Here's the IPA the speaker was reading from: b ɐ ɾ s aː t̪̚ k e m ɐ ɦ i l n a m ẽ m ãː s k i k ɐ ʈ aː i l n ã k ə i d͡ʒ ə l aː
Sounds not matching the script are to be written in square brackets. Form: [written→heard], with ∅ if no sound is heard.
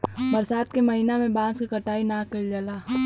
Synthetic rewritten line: b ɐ ɾ s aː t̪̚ k e m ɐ ɦ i [l→∅] n a m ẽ [m→b] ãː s k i k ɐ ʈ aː i [l→∅] n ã k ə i d͡ʒ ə l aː